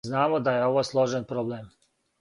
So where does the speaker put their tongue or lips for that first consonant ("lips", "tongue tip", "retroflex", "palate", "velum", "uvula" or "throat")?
tongue tip